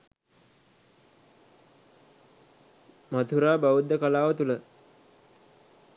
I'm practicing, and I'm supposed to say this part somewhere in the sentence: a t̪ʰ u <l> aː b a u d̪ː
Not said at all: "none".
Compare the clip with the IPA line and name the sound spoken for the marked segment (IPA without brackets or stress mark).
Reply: ɾ